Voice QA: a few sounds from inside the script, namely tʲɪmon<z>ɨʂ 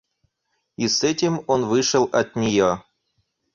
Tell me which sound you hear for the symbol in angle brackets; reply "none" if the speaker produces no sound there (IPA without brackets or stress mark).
v